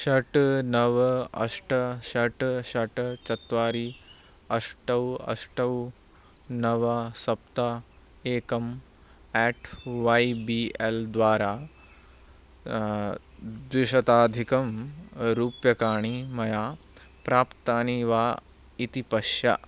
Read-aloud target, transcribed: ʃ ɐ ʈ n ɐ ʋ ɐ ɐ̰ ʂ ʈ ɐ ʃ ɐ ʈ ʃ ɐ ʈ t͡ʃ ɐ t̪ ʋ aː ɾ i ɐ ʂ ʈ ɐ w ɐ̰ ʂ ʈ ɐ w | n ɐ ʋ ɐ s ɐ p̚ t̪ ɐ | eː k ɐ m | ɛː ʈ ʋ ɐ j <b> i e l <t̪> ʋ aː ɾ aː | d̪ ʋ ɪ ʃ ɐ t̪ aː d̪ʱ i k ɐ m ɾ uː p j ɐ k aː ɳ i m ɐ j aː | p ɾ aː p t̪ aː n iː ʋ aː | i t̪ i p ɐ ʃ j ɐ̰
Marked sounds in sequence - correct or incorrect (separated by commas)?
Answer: correct, incorrect